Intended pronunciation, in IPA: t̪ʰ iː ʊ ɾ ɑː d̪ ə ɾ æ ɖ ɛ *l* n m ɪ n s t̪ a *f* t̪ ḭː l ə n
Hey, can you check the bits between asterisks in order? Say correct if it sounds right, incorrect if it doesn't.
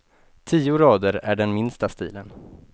incorrect: none, incorrect: s

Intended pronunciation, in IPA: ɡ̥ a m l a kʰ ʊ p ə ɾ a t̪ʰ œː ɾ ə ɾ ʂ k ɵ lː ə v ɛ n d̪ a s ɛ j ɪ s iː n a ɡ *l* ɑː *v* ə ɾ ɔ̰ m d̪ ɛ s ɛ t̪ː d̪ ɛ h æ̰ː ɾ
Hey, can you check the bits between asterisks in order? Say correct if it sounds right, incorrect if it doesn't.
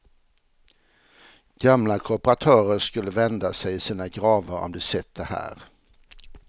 incorrect: ɾ, correct

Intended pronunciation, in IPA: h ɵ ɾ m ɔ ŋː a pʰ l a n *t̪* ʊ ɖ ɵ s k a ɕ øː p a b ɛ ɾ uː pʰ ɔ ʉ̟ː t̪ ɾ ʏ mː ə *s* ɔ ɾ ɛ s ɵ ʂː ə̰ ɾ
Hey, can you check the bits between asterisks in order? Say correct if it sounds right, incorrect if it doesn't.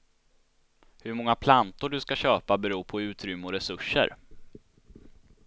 correct, incorrect: none

